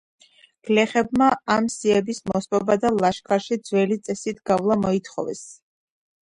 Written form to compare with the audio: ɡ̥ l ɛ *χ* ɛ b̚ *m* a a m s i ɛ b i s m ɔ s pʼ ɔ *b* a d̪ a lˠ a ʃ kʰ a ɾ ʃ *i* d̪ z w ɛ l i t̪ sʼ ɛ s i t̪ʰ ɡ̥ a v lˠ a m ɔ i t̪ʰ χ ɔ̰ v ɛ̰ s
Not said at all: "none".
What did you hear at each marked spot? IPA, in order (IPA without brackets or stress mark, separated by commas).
χ, m, b, i